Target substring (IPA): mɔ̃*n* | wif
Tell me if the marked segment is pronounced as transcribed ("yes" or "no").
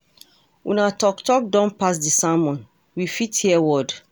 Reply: yes